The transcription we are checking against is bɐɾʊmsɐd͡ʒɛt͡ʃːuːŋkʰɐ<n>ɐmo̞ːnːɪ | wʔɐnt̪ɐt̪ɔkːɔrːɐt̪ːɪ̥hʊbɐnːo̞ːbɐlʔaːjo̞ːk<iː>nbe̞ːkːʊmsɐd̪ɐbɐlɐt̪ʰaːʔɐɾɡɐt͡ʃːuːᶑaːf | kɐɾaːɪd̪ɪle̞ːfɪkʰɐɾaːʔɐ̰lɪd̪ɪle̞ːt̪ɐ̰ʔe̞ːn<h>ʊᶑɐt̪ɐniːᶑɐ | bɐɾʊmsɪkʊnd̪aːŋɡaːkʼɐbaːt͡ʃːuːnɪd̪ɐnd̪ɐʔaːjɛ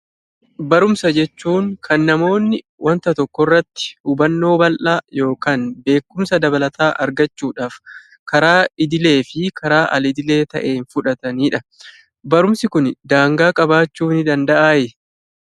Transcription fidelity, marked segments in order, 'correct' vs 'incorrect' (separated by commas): incorrect, incorrect, incorrect